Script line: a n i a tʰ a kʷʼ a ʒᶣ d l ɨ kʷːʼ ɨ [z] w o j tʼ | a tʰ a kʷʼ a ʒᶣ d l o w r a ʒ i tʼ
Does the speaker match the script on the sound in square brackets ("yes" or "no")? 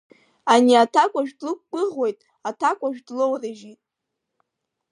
no